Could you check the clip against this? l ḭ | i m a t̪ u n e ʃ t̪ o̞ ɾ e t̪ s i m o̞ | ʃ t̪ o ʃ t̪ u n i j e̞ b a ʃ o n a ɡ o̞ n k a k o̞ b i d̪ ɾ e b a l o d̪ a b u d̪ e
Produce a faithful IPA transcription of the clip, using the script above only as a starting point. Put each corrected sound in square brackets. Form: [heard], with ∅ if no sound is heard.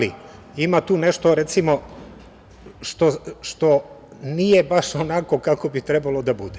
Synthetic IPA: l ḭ | i m a t̪ [uː] n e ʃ t̪ o̞ ɾ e t̪ s i m o̞ | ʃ t̪ o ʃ t̪ [o] n i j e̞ b a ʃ o n a [k] o̞ [∅] k a k o̞ b i [t̪] ɾ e b a l o d̪ a b u d̪ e